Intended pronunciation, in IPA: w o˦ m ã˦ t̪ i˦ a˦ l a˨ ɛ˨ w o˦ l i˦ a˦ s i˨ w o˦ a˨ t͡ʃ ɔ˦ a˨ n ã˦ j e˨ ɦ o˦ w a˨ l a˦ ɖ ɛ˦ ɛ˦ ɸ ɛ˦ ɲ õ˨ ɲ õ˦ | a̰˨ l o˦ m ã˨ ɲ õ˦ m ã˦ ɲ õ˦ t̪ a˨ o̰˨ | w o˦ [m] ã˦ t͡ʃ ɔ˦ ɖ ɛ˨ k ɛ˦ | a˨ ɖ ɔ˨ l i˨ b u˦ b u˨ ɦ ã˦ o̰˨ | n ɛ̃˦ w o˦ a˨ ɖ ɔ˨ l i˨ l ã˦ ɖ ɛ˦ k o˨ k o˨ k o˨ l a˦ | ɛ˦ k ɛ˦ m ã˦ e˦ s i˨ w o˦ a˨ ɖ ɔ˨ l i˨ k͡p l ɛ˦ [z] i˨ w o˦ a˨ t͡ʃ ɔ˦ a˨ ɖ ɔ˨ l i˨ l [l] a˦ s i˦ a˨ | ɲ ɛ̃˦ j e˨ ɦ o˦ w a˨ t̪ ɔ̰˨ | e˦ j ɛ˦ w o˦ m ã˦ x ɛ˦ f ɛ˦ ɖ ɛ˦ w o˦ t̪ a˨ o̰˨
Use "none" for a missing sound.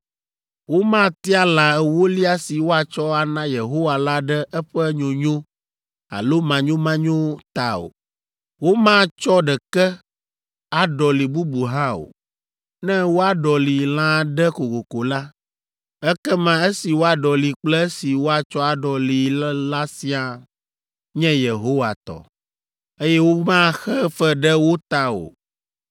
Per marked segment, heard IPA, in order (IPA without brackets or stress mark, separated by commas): m, s, l